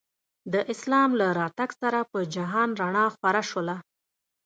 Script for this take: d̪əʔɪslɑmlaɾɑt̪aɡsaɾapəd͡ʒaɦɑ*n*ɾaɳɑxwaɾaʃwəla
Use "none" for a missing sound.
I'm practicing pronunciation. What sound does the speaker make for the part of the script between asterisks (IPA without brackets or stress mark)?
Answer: n